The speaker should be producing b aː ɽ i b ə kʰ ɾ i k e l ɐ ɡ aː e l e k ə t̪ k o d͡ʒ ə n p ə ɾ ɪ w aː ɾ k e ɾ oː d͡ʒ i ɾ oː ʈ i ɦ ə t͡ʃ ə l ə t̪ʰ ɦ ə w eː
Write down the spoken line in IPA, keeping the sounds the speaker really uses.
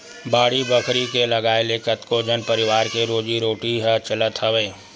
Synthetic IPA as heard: b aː ɽ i b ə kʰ ɾ i k e l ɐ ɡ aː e l e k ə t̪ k o d͡ʒ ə n p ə ɾ ɪ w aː ɾ k e ɾ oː d͡ʒ i ɾ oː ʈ i ɦ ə t͡ʃ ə l ə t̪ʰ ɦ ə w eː